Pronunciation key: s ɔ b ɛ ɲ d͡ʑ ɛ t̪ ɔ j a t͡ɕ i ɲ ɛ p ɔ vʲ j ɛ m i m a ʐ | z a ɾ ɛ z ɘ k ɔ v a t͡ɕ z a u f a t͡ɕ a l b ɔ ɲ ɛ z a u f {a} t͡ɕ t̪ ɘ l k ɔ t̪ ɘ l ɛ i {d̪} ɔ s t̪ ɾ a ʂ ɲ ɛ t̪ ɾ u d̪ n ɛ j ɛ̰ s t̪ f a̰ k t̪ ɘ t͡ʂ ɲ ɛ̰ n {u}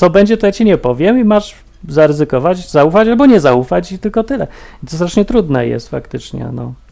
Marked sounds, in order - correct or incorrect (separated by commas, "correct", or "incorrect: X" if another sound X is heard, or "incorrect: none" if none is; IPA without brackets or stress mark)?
correct, incorrect: t̪, incorrect: ɔ